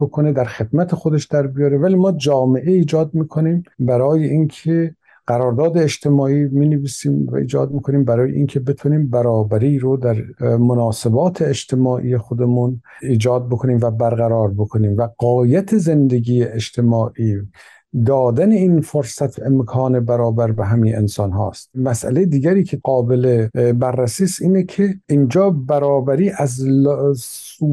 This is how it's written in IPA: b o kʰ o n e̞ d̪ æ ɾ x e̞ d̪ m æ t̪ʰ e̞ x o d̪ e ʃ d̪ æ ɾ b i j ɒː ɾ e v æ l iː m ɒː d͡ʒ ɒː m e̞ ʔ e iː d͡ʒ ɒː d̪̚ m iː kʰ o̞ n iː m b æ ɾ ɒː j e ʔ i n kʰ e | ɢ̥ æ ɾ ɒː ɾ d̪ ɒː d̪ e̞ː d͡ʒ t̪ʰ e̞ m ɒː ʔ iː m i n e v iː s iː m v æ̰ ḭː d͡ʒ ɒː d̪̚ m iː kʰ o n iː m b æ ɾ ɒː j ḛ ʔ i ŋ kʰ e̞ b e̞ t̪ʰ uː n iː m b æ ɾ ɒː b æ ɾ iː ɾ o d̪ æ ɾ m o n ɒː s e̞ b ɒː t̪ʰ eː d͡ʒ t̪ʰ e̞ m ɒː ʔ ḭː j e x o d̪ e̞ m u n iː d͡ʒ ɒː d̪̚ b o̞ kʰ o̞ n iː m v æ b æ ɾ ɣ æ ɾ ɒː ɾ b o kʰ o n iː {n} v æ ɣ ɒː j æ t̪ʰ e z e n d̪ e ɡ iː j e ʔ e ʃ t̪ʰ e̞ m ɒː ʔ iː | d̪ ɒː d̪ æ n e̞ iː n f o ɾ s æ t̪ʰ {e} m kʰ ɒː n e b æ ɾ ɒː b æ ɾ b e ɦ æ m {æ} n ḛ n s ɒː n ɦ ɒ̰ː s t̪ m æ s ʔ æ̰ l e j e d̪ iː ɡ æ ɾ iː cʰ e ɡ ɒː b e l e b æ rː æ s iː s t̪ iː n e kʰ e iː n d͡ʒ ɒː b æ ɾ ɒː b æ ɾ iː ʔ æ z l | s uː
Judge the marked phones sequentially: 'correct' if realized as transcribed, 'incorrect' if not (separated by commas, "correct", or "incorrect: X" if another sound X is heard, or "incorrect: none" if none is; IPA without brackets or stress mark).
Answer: incorrect: m, correct, incorrect: i